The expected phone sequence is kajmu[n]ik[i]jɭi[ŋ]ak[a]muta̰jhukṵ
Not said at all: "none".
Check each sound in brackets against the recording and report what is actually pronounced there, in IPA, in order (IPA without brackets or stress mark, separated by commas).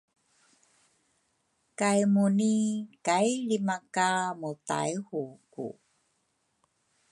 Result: n, a, m, a